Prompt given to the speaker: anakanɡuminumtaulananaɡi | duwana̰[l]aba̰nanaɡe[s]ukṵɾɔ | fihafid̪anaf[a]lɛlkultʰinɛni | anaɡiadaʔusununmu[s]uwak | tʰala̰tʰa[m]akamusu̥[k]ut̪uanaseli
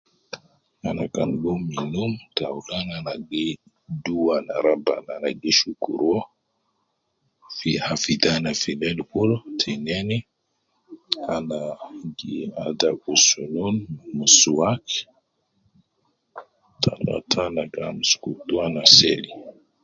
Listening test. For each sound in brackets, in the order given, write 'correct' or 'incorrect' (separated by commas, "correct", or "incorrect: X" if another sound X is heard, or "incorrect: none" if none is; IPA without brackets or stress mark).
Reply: incorrect: ɾ, incorrect: ʃ, incorrect: i, correct, incorrect: n, correct